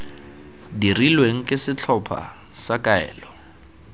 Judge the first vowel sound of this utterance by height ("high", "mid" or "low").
high